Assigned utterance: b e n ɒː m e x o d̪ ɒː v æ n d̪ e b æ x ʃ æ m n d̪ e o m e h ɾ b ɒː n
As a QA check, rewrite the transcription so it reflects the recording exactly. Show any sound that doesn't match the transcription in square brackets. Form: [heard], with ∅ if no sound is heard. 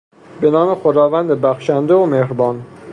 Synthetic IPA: b e n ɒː m e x o d̪ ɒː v æ n d̪ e b æ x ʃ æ [∅] n d̪ e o m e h ɾ b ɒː n

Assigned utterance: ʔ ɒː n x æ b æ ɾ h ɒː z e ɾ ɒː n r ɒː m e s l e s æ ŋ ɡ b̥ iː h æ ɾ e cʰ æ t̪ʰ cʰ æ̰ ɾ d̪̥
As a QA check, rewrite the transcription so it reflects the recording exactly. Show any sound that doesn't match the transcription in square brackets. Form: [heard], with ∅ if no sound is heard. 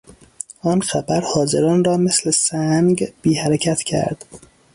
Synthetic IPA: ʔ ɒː n x æ b æ ɾ h ɒː z e ɾ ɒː n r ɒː m e s l e s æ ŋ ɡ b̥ iː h æ ɾ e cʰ æ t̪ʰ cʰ æ̰ ɾ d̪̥

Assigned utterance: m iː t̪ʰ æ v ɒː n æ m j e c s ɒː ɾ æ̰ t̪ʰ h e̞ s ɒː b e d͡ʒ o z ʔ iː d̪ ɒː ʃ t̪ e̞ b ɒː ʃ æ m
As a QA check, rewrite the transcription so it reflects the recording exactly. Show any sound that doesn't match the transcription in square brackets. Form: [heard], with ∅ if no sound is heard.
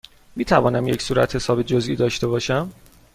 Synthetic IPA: m iː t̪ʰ æ v ɒː n æ m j e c s [uː] ɾ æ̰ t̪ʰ h e̞ s ɒː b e d͡ʒ o z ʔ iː d̪ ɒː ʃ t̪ e̞ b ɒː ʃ æ m

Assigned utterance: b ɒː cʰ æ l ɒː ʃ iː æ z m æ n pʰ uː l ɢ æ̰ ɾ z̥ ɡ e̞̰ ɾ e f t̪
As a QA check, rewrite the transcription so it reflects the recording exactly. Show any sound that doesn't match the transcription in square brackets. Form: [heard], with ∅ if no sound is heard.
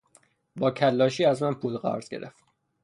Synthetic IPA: b ɒː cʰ æ [lː] ɒː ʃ iː æ z m æ n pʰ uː l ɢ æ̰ ɾ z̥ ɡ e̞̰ ɾ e f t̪

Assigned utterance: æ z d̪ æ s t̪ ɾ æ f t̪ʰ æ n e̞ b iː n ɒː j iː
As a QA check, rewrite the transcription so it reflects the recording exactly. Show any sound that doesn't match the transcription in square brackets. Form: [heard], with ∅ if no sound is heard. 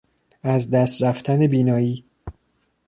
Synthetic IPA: æ z d̪ æ s t̪ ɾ æ f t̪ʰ æ n e̞ b iː n ɒː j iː

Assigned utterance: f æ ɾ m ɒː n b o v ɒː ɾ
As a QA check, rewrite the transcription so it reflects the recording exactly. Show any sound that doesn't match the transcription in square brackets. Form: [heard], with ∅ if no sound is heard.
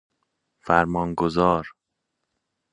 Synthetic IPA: f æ ɾ m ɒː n [ɡ] o [z] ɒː ɾ

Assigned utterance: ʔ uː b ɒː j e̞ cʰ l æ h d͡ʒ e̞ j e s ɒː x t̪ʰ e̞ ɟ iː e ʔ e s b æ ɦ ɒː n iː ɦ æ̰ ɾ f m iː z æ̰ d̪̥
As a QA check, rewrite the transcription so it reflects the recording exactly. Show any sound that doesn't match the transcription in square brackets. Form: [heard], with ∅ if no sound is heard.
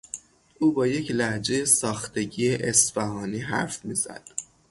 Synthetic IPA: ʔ uː b ɒː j e̞ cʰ l æ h d͡ʒ e̞ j e s ɒː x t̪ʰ e̞ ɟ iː e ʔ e s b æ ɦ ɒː n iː ɦ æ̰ ɾ f m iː z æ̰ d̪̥

